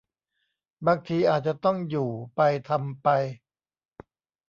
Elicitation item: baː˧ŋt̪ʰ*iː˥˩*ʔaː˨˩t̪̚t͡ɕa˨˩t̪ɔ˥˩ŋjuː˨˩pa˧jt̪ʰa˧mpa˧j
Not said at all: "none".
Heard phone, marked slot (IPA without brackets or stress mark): iː˧